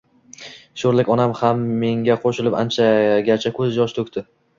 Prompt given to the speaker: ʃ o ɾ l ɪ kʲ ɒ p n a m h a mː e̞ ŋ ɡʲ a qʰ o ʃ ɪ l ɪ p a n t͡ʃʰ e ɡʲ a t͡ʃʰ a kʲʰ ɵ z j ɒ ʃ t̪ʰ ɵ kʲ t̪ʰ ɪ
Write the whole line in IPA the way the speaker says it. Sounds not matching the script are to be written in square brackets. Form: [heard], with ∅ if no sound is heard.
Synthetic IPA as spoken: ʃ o ɾ l ɪ kʲ ɒ [∅] n a m h a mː e̞ ŋ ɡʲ a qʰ o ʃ ɪ l ɪ p a n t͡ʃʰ [a] ɡʲ a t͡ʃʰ a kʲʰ ɵ z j ɒ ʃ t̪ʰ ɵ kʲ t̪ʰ ɪ